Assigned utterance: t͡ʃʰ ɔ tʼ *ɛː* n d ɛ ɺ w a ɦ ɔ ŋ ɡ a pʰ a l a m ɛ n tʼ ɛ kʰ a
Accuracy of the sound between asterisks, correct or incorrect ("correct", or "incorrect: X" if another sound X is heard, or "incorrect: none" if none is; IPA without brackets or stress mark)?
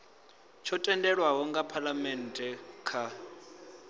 incorrect: ɛ